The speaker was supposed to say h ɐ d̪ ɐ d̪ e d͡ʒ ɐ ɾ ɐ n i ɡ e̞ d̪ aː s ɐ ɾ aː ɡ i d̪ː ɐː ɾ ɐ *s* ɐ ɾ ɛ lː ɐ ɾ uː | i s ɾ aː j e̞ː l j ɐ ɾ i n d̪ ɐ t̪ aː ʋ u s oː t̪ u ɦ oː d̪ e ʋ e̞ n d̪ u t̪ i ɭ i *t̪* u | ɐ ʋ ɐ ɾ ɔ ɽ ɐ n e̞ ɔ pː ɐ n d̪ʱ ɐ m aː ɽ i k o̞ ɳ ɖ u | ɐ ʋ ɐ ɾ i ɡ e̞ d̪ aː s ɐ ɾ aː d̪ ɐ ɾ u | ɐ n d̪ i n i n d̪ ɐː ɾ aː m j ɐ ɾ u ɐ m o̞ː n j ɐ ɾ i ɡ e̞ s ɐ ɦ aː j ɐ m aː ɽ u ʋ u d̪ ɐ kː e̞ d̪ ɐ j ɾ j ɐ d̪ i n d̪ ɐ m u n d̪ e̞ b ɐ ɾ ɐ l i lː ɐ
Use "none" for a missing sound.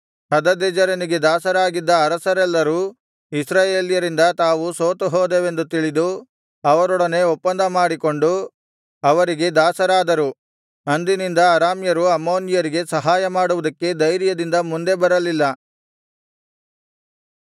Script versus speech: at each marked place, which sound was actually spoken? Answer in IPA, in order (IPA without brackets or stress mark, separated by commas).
s, d̪